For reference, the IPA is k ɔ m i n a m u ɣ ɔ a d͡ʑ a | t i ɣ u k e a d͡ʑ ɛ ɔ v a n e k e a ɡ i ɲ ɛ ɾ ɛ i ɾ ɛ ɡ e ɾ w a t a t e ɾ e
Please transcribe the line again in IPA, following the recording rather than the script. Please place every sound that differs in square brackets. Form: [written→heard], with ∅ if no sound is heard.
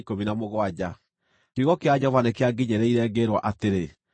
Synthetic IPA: k [ɔ→o] m i n a m [u→o] ɣ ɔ a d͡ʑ a | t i ɣ [u→ɔ] k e a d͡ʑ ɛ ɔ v a n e k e a ɡ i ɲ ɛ ɾ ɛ i ɾ ɛ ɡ e ɾ w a [t→ʔ] a t e ɾ e